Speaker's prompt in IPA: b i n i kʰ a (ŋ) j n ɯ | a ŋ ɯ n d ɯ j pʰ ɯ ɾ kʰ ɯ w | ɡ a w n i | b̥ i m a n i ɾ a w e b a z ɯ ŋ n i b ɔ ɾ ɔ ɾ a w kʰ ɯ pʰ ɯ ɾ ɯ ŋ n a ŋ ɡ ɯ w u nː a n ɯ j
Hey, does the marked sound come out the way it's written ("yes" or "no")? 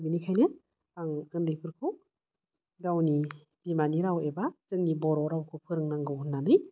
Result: no